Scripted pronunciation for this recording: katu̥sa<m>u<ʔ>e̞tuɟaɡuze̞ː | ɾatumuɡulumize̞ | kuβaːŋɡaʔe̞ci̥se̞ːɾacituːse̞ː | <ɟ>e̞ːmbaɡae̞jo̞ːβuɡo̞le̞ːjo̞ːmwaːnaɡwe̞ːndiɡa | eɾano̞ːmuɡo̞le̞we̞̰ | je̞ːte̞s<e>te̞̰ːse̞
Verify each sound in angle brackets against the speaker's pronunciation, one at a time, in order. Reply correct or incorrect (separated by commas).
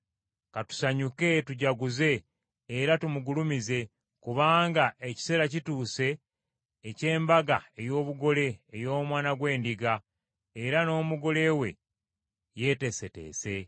incorrect, incorrect, incorrect, correct